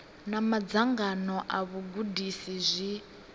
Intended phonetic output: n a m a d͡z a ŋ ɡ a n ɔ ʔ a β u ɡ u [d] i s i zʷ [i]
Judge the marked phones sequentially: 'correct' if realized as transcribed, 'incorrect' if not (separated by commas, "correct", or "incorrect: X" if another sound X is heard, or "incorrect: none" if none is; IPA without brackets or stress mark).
correct, correct